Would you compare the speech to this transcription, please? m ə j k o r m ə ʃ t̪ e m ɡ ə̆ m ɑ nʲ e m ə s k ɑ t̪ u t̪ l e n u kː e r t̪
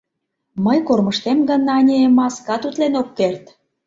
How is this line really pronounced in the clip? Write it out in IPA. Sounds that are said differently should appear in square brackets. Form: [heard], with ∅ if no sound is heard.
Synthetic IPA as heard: m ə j k o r m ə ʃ t̪ e m ɡ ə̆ [n] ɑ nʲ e m [ɑ] s k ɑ t̪ u t̪ l e n [o] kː e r t̪